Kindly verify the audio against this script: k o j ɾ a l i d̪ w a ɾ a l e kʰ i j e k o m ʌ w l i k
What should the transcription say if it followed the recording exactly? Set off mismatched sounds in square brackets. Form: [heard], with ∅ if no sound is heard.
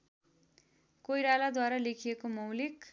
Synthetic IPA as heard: k o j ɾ a l [a] d̪ w a ɾ a l e kʰ i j e k o m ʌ w l i k